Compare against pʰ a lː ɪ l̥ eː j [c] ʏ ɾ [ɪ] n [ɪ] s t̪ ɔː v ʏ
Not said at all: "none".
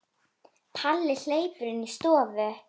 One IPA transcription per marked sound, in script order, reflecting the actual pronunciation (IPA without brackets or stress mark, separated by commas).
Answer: p, ɪ, i